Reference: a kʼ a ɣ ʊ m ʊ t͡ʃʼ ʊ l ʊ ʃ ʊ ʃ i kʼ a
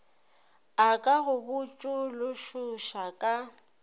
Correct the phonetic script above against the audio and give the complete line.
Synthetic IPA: a kʼ a ɣ ʊ b ʊ t͡ʃʼ ʊ l ʊ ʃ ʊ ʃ a kʼ a